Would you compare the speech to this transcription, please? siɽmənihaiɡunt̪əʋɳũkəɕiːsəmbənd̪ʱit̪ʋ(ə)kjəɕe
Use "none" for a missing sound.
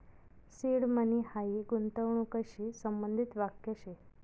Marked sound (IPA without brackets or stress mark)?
a